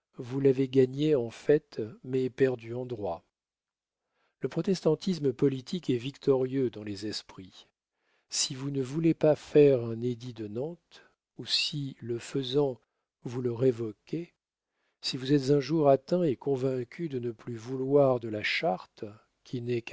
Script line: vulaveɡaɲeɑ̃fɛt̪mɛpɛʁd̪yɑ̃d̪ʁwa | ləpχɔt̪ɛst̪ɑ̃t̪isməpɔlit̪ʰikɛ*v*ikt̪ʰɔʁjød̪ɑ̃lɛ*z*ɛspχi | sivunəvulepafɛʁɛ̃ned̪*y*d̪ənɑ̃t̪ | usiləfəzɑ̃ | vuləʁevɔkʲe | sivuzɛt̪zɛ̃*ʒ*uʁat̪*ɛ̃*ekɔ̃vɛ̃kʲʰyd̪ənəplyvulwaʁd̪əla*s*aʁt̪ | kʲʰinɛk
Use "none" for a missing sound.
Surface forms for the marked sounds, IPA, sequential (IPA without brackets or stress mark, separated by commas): v, z, i, ʒ, ɛ̃, ʃ